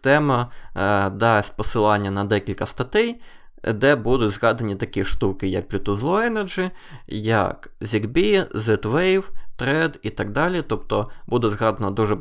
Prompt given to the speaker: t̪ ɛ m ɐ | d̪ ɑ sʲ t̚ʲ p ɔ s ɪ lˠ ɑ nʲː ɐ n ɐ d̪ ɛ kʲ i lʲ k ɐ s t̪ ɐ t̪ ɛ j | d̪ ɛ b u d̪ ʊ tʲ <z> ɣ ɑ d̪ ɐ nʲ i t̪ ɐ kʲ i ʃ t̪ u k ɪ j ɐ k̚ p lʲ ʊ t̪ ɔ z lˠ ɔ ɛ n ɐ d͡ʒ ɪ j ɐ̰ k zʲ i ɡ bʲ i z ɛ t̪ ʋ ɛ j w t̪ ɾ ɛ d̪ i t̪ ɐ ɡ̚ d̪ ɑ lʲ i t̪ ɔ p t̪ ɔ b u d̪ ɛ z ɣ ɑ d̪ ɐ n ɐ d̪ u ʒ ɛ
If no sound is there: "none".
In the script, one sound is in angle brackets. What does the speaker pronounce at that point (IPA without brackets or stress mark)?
z